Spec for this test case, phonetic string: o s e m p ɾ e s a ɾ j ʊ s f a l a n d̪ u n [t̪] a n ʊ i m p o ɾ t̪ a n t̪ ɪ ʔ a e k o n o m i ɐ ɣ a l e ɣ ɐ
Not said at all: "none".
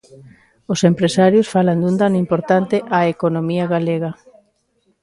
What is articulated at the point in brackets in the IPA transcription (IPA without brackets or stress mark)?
d̪